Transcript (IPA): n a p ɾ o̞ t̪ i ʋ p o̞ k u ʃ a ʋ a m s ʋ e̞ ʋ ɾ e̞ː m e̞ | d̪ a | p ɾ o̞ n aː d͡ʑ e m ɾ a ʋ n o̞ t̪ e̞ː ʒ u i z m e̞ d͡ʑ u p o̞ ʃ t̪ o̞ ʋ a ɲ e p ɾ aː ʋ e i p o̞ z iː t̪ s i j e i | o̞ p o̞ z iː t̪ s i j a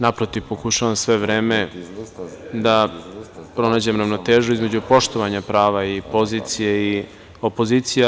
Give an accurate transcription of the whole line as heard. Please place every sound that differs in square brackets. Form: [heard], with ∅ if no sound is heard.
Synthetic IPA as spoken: n a p ɾ o̞ t̪ i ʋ p o̞ k u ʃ a ʋ a m s ʋ e̞ ʋ ɾ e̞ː m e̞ | d̪ a | p ɾ o̞ n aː d͡ʑ e m ɾ a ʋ n o̞ t̪ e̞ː ʒ u i z m e̞ d͡ʑ u p o̞ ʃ t̪ o̞ ʋ a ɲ [a] p ɾ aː ʋ [a] i p o̞ z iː t̪ s i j e i | o̞ p o̞ z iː t̪ s i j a